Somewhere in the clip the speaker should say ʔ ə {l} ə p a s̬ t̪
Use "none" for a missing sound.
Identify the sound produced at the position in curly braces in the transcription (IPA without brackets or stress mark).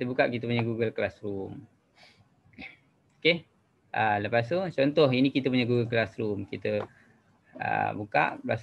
l